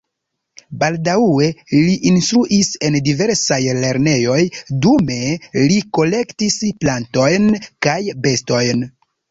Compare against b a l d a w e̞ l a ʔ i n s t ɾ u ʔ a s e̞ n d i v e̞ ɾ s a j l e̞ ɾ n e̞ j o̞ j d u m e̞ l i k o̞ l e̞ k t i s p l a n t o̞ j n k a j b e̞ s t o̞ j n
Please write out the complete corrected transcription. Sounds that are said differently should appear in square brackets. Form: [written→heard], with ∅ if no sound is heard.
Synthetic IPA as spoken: b a l d a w e̞ l [a→i] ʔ i n s t ɾ u ʔ [a→i] s e̞ n d i v e̞ ɾ s a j l e̞ ɾ n e̞ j o̞ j d u m e̞ l i k o̞ l e̞ k t i s p l a n t o̞ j n k a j b e̞ s t o̞ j n